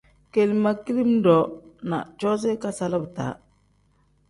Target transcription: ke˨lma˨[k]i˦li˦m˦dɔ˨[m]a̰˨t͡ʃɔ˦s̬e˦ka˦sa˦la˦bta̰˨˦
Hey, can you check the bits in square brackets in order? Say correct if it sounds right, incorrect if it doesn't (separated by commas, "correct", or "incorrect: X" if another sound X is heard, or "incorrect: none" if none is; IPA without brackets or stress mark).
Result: correct, incorrect: n